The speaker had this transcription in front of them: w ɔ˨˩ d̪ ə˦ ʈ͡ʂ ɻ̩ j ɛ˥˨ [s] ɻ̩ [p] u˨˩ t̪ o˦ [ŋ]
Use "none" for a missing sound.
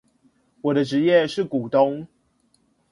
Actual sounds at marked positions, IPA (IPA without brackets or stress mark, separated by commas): ʂ, k, ŋ